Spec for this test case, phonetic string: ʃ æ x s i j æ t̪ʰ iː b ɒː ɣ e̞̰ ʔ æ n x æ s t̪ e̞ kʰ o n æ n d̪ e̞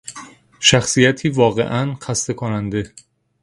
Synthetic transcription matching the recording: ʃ æ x s i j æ t̪ʰ iː v ɒː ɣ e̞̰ ʔ æ n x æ s t̪ e̞ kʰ o n æ n d̪ e̞